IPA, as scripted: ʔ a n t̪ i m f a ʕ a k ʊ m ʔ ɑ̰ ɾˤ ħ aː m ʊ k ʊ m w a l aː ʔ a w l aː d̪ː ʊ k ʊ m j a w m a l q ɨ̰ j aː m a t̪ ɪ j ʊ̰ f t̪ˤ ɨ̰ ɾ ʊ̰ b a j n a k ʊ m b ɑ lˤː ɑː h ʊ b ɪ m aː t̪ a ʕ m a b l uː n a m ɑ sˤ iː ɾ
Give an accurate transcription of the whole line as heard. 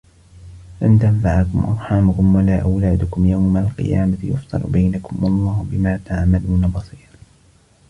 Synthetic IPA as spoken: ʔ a n t̪ a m f a ʕ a k ʊ m ʔ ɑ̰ ɾˤ ħ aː m ʊ k ʊ m w a l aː ʔ a w l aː d̪ ʊ k ʊ m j a w m a l q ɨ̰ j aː m a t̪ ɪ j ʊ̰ f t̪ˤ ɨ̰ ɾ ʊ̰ b a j n a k ʊ m w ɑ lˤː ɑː h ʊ b ɪ m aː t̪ a ʕ m a l uː n a b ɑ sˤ iː ɾ